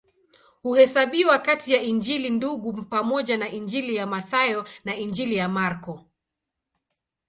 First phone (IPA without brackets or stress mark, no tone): h